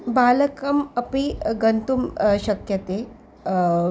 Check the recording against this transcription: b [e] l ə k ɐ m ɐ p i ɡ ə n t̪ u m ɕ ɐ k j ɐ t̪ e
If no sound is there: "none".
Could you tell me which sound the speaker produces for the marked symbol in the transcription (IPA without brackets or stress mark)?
a